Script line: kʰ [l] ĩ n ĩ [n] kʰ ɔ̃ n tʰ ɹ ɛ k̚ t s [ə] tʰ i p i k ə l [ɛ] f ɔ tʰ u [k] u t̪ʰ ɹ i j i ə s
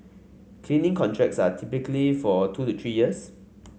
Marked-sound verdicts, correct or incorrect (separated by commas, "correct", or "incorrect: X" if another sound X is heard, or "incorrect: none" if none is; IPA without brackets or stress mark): correct, incorrect: ŋ, incorrect: a, incorrect: i, incorrect: t